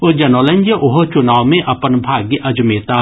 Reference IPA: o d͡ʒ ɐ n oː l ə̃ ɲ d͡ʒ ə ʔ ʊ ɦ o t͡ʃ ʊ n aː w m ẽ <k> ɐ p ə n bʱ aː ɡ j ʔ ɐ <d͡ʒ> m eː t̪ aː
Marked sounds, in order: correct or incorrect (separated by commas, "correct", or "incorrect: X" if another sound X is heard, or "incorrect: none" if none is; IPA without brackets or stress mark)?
incorrect: ʔ, correct